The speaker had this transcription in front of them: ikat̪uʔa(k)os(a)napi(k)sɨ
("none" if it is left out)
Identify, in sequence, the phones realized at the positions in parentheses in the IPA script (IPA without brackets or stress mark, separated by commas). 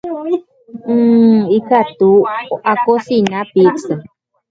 k, i, k